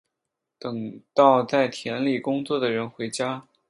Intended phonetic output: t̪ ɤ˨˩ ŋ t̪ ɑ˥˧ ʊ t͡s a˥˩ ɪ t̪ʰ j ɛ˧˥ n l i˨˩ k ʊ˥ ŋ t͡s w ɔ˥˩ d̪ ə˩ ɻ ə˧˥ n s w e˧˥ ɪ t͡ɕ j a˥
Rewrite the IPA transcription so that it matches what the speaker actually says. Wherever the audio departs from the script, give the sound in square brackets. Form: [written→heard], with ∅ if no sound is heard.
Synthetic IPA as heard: t̪ ɤ˨˩ ŋ t̪ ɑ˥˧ ʊ t͡s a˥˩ ɪ t̪ʰ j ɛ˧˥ n l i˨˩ k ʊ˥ ŋ t͡s w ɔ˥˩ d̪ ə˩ ɻ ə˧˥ n [s→x] w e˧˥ ɪ t͡ɕ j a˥